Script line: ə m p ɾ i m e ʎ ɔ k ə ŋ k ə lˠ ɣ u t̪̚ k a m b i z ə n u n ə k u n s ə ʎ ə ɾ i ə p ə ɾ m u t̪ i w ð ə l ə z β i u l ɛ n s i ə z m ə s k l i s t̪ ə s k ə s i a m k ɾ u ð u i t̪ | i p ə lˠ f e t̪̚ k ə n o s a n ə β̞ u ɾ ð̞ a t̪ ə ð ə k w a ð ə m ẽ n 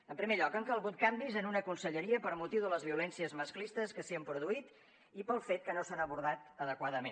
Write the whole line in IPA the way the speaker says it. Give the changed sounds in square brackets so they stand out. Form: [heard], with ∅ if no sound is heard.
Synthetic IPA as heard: ə m p ɾ i m e ʎ ɔ k ə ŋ k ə lˠ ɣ u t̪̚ k a m b i z ə n u n ə k u n s ə ʎ ə ɾ i ə p ə ɾ m u t̪ i w ð ə l ə z β i u l ɛ n s i ə z m ə s k l i s t̪ ə s k ə s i [ə] m [p] ɾ u ð u i t̪ | i p ə lˠ f e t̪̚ k ə n o s a n ə β̞ u ɾ ð̞ a t̪ ə ð ə k w a ð ə m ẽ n